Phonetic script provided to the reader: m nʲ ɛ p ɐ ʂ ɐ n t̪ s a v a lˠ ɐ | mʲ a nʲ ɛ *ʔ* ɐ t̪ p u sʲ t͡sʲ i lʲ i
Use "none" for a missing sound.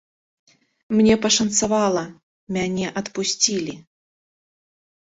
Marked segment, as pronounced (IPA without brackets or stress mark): ʔ